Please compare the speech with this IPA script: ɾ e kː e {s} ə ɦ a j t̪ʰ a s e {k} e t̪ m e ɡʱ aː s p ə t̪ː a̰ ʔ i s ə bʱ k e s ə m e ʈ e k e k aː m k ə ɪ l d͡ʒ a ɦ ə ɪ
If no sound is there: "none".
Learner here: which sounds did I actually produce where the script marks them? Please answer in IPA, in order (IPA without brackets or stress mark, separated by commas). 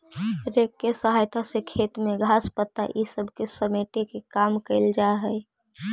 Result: s, kʰ